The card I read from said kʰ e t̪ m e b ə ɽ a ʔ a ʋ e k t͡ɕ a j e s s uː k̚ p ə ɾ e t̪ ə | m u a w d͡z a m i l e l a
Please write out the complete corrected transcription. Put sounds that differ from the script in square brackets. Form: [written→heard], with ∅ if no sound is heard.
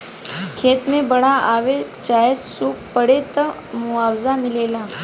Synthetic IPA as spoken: kʰ e t̪ m e b ə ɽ a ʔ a ʋ e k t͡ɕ a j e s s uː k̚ p ə [ɾ→ɽ] e t̪ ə | m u a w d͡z a m i l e l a